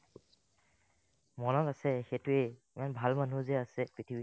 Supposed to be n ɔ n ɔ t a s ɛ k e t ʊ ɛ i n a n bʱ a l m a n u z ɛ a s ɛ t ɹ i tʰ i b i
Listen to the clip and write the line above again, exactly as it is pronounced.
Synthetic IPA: m ɔ n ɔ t a s ɛ x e t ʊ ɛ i m a n bʱ a l m a n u z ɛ a s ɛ p ɹ i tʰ i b i